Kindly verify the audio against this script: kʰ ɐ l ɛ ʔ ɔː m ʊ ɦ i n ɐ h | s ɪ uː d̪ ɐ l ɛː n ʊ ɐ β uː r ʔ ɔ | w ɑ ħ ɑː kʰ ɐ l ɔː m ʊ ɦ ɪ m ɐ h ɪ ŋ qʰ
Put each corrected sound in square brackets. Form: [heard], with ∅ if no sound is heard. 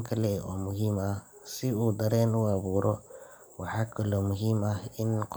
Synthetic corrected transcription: kʰ ɐ l ɛ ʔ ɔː m ʊ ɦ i [m] ɐ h | s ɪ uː d̪ ɐ [ɾ] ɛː n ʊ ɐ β uː [ɾ] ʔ ɔ | w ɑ ħ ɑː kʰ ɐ l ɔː m ʊ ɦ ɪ m ɐ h ɪ [n] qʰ